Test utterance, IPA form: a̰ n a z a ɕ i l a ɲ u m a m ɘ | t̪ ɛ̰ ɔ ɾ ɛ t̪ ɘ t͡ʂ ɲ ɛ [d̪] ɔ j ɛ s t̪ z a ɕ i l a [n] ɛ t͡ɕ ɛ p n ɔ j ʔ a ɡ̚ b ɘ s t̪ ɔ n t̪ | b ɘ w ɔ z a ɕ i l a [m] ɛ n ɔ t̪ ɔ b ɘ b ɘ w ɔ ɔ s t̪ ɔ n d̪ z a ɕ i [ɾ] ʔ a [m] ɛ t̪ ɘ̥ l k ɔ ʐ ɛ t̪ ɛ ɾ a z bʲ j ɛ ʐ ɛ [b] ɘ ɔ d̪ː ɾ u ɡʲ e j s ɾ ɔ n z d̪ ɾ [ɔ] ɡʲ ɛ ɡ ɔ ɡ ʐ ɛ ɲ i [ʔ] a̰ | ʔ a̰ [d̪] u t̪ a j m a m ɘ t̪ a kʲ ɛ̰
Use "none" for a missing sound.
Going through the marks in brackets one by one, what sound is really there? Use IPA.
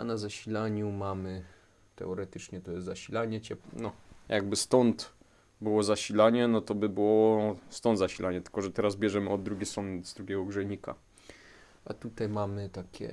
t̪, ɲ, ɲ, l, ɲ, m, u, k, t̪

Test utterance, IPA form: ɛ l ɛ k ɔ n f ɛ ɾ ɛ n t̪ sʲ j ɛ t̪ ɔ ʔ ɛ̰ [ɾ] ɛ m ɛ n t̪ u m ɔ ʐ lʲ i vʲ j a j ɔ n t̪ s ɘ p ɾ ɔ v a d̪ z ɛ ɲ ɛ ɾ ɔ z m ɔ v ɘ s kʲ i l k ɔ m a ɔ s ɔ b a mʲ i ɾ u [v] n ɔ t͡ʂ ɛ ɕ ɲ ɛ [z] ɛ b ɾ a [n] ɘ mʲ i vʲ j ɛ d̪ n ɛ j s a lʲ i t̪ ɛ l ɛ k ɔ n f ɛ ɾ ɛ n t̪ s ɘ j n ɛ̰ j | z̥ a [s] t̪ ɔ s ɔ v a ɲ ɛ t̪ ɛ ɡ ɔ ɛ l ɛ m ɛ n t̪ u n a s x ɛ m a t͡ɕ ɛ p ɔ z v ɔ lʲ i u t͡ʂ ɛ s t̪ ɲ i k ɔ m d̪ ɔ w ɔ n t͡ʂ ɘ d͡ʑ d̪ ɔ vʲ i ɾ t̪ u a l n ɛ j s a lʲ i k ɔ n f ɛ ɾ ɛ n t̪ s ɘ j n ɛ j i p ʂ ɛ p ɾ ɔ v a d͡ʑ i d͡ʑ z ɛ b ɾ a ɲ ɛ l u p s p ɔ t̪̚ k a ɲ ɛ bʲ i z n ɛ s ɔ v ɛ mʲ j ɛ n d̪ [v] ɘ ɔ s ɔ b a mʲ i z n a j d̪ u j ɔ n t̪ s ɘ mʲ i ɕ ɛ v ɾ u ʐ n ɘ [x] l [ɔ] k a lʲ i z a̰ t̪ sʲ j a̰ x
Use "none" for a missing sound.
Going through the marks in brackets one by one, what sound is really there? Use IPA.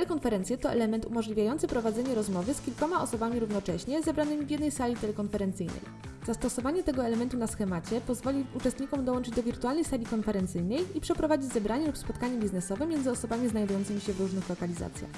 l, v, z, n, s, z, x, ɔ

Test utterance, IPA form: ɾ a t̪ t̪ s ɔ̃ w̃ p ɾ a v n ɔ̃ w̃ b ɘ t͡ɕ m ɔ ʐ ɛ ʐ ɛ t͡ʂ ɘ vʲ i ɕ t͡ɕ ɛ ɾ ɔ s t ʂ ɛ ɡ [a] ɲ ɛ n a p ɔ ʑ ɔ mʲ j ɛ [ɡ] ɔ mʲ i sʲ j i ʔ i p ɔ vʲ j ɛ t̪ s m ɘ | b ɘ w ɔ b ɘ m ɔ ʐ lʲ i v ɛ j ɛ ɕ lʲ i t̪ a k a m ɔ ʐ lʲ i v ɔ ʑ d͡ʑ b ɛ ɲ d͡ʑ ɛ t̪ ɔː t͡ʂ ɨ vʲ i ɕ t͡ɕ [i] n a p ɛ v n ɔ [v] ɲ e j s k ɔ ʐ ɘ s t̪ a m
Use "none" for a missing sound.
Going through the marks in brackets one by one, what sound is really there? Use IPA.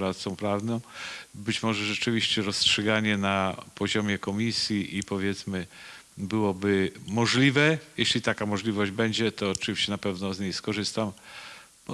a, k, ɛ, z

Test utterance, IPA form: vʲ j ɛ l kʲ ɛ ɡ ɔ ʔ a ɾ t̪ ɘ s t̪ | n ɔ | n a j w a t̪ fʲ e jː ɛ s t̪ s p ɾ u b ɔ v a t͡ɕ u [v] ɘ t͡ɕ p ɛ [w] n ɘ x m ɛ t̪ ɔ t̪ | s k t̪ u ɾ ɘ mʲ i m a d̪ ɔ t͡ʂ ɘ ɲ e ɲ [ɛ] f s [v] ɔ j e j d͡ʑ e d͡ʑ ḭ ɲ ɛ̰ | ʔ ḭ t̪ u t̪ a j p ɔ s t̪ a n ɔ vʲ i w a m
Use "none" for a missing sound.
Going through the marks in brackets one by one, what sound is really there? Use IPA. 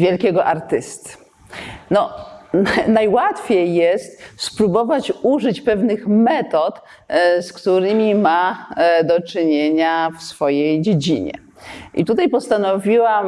ʐ, v, a, f

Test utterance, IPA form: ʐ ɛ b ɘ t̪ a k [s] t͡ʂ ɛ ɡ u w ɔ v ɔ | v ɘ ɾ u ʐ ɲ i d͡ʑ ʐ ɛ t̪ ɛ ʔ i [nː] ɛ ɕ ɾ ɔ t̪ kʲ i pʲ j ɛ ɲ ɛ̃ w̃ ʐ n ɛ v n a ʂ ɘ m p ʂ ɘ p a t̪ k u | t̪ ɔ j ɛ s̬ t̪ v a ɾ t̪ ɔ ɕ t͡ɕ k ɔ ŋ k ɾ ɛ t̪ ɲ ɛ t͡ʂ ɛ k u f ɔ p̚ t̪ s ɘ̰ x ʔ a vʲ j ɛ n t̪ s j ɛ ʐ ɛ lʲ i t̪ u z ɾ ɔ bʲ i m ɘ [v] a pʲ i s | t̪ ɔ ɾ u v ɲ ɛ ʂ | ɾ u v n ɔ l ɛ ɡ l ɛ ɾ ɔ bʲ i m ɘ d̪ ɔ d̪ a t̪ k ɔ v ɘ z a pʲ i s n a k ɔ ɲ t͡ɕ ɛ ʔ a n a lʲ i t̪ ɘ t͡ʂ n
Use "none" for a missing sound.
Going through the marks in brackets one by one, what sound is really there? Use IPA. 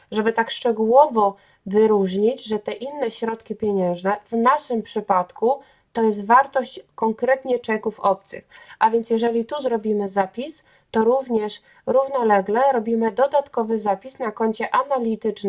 ʂ, nː, z

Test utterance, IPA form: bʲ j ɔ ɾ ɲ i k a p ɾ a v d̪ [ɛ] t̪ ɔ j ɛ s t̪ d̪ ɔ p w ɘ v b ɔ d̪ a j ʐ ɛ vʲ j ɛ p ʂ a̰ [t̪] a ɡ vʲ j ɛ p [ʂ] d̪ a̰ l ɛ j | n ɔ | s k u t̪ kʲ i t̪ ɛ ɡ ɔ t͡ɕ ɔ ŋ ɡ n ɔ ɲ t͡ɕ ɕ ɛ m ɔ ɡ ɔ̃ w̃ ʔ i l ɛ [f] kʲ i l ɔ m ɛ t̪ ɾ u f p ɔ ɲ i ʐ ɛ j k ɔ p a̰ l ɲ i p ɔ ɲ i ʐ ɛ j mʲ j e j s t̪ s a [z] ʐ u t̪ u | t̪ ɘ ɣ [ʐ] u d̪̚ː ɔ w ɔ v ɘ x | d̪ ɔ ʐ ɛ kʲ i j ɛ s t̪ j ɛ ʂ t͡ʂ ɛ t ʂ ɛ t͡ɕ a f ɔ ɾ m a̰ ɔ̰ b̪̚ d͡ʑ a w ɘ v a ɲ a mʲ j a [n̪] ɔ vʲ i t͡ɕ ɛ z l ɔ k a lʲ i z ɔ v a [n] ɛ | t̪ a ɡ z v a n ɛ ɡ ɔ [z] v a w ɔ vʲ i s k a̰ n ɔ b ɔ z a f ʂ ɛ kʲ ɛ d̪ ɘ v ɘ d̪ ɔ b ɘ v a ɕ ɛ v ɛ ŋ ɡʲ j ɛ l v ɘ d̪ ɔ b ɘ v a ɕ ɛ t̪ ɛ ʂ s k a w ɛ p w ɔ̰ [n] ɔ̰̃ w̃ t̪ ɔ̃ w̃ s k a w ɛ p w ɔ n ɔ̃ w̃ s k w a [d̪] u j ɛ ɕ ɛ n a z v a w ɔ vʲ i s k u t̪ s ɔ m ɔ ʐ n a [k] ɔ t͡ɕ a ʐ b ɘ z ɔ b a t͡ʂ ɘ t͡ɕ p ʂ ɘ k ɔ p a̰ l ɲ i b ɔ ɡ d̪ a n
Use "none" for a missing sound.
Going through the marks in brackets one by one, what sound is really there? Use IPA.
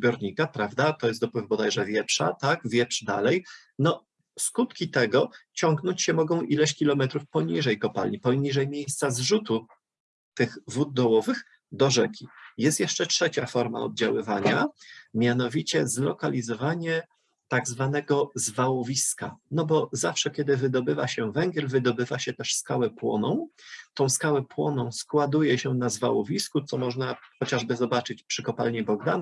a, t̪, ʂ, ɕ, z, v, n̪, ɲ, z, n, d̪, x

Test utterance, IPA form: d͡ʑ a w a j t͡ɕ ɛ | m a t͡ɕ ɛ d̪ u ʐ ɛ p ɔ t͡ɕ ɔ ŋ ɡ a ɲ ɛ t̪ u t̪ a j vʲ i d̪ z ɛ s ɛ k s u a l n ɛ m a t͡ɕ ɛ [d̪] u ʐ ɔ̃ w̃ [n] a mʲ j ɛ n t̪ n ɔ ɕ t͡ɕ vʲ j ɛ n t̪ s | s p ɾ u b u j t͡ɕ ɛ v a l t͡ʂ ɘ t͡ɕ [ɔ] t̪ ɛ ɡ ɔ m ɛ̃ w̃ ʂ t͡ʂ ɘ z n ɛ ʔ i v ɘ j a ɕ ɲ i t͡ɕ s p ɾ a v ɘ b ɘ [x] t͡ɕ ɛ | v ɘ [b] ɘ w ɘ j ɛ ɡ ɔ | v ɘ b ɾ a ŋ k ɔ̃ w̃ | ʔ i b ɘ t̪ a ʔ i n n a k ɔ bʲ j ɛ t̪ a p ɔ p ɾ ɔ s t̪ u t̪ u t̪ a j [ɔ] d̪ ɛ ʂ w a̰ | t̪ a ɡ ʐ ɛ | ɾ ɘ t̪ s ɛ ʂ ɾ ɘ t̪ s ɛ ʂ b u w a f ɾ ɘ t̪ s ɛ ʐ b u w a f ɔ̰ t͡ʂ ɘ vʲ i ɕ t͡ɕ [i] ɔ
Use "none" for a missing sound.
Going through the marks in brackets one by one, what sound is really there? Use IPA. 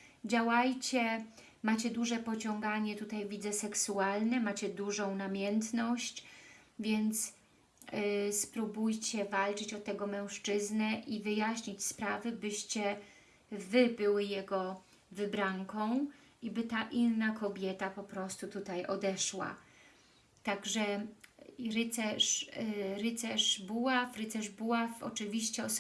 d̪, n, ɔ, ɕ, b, ɔ, ɛ

